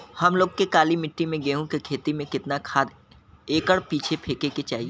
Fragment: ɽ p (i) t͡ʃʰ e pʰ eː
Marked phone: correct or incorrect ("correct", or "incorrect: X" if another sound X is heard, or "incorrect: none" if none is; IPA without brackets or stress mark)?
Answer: incorrect: iː